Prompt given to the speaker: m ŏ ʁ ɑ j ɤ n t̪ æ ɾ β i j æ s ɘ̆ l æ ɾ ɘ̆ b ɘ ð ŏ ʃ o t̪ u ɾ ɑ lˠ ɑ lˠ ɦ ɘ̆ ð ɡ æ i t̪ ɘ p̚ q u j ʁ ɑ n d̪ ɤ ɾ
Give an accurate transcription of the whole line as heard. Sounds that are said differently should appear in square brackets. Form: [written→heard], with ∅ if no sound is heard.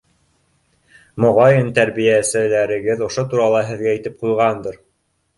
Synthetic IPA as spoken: m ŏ ʁ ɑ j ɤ n t̪ æ ɾ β i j æ s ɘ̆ l æ ɾ ɘ̆ [b→ɡ] ɘ ð ŏ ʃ o t̪ u ɾ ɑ lˠ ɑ [lˠ→∅] ɦ ɘ̆ ð ɡ æ i t̪ ɘ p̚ q u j ʁ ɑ n d̪ ɤ ɾ